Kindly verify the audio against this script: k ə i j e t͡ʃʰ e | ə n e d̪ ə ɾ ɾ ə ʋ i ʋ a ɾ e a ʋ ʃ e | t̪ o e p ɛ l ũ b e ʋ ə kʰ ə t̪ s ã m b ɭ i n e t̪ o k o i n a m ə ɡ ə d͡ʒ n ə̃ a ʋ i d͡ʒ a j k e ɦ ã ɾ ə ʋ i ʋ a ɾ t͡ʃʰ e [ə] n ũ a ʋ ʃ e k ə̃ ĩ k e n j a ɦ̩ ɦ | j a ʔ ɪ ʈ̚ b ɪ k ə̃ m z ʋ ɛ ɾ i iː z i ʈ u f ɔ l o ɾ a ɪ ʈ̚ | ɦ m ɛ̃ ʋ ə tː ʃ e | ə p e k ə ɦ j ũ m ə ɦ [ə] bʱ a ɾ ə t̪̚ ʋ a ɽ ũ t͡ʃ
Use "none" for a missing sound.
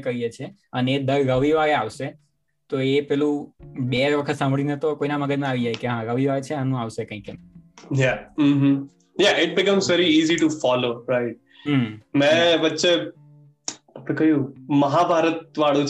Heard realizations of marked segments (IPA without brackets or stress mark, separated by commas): a, a